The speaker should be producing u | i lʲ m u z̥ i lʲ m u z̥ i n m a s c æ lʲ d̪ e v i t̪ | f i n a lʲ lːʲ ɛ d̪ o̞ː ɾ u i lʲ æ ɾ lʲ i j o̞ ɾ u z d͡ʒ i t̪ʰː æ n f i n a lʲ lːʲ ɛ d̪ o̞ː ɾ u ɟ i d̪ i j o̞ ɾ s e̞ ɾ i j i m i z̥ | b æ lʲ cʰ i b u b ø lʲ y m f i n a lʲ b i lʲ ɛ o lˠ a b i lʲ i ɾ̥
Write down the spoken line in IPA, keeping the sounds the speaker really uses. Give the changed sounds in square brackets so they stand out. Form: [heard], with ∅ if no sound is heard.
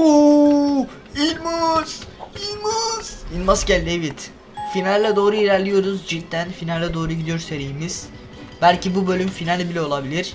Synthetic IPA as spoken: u | i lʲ m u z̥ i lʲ m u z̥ i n m a s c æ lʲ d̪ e v i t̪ | f i n a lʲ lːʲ ɛ d̪ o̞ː ɾ u i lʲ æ ɾ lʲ i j o̞ ɾ u z d͡ʒ i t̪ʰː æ n f i n a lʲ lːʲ ɛ d̪ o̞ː ɾ u ɟ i d̪ i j o̞ ɾ s e̞ ɾ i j i m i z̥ | b æ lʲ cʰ i b u b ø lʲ y m f i n a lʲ b i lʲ ɛ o lˠ a b i lʲ i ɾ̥